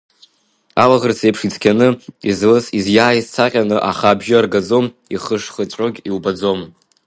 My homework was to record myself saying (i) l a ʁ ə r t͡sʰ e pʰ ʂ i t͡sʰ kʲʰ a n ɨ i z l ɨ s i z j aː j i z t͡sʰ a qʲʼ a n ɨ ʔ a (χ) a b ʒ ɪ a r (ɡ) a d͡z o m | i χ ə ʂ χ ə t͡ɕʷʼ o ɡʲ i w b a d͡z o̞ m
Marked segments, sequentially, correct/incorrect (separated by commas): incorrect, correct, correct